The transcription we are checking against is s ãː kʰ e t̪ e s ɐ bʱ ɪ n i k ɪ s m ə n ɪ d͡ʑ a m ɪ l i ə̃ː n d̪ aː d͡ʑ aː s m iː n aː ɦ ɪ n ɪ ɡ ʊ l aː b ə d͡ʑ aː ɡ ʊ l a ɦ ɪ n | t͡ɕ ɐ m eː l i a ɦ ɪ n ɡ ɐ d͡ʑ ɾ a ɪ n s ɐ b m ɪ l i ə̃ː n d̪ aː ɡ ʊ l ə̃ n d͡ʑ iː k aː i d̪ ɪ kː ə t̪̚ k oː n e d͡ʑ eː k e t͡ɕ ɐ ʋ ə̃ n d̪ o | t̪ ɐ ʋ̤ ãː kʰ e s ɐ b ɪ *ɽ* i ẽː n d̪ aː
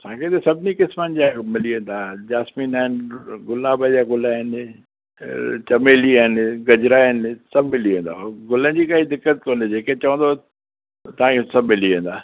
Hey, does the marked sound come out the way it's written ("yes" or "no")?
no